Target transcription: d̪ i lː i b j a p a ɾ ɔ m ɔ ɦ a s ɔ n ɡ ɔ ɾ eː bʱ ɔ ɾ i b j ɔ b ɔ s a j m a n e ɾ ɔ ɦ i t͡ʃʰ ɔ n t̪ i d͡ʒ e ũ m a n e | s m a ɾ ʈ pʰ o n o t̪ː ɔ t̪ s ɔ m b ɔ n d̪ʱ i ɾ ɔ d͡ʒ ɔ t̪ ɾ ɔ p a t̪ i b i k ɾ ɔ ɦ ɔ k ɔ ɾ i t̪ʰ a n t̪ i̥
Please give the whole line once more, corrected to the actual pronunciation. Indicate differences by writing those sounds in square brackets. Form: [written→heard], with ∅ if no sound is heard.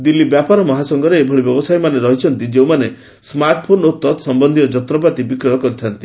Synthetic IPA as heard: d̪ i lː i b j a p a ɾ ɔ m ɔ ɦ a s ɔ [n→ŋ] ɡ ɔ ɾ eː bʱ ɔ [ɾ→ɭ] i b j ɔ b ɔ s a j m a n e ɾ ɔ ɦ i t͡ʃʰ ɔ n t̪ i d͡ʒ e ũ m a n e | s m a ɾ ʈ pʰ o n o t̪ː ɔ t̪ s ɔ m b ɔ n d̪ʱ i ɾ ɔ d͡ʒ ɔ t̪ ɾ ɔ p a t̪ i b i k ɾ ɔ ɦ ɔ k ɔ ɾ i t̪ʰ a n t̪ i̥

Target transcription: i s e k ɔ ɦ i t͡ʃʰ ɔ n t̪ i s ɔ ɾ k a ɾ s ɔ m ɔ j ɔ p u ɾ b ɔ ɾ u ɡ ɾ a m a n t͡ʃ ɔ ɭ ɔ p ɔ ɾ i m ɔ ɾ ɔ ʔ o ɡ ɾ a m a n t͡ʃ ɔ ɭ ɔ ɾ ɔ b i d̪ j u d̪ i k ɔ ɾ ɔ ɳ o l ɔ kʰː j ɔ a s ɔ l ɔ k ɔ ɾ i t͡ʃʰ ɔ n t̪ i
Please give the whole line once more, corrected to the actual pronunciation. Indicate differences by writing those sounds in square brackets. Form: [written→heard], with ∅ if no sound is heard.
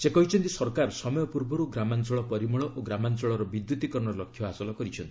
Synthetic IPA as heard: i s e k ɔ ɦ i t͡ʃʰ ɔ n t̪ i s ɔ ɾ k a ɾ s ɔ m ɔ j ɔ p u ɾ b ɔ ɾ u ɡ ɾ a m a n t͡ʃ ɔ ɭ ɔ p ɔ ɾ i m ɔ [ɾ→ɭ] ɔ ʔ o ɡ ɾ a m a n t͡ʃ ɔ ɭ ɔ ɾ ɔ b i d̪ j u [d̪→t̪] i k ɔ ɾ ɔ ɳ [o→ɔ] l ɔ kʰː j ɔ a s ɔ l ɔ k ɔ ɾ i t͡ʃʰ ɔ n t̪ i

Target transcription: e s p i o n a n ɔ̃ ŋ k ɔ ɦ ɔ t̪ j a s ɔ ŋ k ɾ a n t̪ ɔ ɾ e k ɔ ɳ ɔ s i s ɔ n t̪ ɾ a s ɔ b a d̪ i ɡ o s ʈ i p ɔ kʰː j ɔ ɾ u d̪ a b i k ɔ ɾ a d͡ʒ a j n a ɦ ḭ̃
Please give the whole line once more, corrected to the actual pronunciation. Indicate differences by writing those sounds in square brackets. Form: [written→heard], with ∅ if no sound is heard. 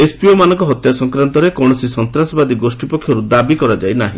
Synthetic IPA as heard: e s p i o [n→m] a n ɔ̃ ŋ k ɔ ɦ ɔ t̪ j a s ɔ ŋ k ɾ a n t̪ ɔ ɾ e k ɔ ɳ ɔ s i s ɔ n t̪ ɾ a s ɔ b a d̪ i ɡ o s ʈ i p ɔ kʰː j ɔ ɾ u d̪ a b i k ɔ ɾ a d͡ʒ a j n a ɦ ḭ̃

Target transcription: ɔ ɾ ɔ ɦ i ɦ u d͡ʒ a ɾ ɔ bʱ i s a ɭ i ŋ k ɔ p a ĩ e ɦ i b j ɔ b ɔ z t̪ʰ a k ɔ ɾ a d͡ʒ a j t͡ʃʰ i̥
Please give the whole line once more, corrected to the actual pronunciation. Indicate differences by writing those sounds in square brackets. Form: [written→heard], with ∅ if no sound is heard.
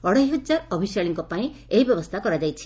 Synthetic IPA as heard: ɔ [ɾ→ɽ] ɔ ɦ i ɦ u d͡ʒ a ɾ ɔ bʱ i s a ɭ i ŋ k ɔ p a ĩ e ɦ i b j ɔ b ɔ [z→s] t̪ʰ a k ɔ ɾ a d͡ʒ a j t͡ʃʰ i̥

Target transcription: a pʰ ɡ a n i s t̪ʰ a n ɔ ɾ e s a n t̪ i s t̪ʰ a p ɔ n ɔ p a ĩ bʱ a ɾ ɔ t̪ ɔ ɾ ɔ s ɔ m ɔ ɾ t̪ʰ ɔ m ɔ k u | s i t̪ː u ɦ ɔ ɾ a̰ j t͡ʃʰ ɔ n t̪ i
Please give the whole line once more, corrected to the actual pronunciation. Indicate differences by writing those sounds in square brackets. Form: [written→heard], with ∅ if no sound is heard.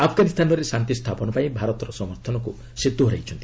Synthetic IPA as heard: a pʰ ɡ a n i s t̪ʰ a n ɔ ɾ e s a n t̪ i s t̪ʰ a p ɔ n ɔ p a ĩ bʱ a ɾ ɔ t̪ ɔ ɾ ɔ s ɔ m ɔ ɾ t̪ʰ ɔ [m→n] ɔ k u | s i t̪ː u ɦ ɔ ɾ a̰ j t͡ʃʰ ɔ n t̪ i

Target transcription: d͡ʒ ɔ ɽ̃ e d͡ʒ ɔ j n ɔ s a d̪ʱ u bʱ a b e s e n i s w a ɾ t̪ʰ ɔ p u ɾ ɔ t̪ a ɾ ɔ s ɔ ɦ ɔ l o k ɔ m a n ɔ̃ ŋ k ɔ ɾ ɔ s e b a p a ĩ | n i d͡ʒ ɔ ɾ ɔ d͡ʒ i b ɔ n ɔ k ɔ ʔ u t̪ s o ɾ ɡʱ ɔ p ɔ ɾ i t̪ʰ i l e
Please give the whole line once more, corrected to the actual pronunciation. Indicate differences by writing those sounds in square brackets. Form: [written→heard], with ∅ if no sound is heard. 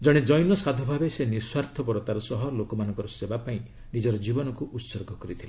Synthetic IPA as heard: d͡ʒ ɔ ɽ̃ e d͡ʒ ɔ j n ɔ s a d̪ʱ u bʱ a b e s e n i s w a ɾ t̪ʰ ɔ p [u→ɔ] ɾ ɔ t̪ a ɾ ɔ s ɔ ɦ ɔ l o k ɔ m a n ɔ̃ ŋ k ɔ ɾ ɔ s e b a p a ĩ | n i d͡ʒ ɔ ɾ ɔ d͡ʒ i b ɔ n ɔ k [ɔ→u] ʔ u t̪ s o ɾ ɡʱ ɔ [p→k] ɔ ɾ i t̪ʰ i l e

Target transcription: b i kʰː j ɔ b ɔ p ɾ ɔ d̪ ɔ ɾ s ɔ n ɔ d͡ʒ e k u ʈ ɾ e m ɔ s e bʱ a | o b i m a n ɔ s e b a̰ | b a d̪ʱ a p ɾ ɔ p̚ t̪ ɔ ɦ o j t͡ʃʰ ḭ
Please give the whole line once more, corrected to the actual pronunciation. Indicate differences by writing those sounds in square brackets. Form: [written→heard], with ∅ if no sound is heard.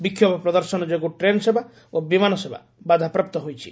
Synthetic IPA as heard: b i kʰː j ɔ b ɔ p ɾ ɔ d̪ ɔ ɾ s ɔ n ɔ d͡ʒ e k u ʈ ɾ e [m→n] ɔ s e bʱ a | o b i m a n ɔ s e b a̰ | b a d̪ʱ a p ɾ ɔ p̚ t̪ ɔ ɦ o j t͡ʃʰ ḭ

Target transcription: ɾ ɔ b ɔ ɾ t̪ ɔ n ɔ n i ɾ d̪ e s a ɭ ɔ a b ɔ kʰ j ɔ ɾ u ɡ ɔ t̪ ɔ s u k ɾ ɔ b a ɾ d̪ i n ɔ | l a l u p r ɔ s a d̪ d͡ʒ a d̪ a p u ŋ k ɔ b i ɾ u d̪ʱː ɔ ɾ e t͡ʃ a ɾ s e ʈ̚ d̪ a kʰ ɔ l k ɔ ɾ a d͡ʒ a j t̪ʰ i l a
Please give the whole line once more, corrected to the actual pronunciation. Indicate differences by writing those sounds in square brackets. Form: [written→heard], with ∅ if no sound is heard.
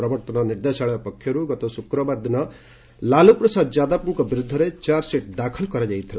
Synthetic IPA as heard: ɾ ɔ b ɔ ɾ t̪ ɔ n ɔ n i ɾ d̪ e s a ɭ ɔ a [b→p] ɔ kʰ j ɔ ɾ u ɡ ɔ t̪ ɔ s u k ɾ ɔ b a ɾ d̪ i n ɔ | l a l u p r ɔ s a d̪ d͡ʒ a d̪ a p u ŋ k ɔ b i ɾ u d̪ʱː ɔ ɾ e t͡ʃ a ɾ s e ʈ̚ d̪ a kʰ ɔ l k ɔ ɾ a d͡ʒ a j t̪ʰ i l a

